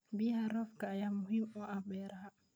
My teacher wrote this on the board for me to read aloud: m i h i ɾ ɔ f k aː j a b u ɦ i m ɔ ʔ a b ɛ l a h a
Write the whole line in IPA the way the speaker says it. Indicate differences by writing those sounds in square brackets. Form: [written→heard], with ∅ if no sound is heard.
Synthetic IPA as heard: [m→b] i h [i→a] ɾ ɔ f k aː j a [b→m] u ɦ i m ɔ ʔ a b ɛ [l→ɾ] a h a